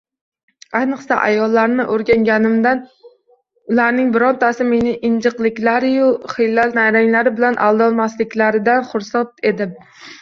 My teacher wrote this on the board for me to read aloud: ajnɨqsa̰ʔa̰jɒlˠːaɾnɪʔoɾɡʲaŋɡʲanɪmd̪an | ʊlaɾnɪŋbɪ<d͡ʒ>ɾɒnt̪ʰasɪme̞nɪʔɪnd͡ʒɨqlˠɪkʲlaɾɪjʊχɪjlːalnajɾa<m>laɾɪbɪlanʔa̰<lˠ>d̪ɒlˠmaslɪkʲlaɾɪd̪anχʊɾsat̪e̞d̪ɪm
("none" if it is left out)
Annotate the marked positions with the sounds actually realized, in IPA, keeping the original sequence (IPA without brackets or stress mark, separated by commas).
none, ŋ, lˠ